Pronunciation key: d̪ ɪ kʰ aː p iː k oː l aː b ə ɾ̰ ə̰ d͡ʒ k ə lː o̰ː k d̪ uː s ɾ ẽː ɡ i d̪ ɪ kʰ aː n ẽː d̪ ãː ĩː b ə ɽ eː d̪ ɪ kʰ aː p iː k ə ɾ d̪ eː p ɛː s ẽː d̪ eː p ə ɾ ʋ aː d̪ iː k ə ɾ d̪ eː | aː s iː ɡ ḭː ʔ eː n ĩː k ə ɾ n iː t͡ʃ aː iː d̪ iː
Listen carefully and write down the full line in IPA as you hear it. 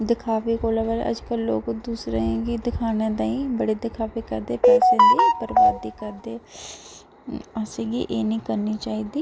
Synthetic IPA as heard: d̪ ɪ kʰ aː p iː k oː l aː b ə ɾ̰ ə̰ d͡ʒ k ə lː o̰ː k d̪ uː s ɾ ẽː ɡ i d̪ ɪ kʰ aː n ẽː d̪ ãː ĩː b ə ɽ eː d̪ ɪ kʰ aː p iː k ə ɾ d̪ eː p ɛː s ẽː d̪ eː p ə ɾ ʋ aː d̪ iː k ə ɾ d̪ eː | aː s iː ɡ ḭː ʔ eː n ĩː k ə ɾ n iː t͡ʃ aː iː d̪ iː